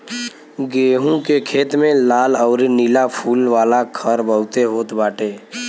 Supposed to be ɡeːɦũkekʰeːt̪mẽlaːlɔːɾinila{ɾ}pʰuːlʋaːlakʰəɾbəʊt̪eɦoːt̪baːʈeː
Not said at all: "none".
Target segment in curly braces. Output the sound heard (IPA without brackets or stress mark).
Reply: none